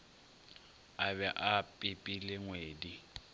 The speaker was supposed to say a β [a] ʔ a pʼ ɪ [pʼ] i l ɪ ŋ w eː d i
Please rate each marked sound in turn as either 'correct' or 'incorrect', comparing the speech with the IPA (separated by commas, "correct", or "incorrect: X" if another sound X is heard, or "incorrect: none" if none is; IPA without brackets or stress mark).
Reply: incorrect: ɛ, correct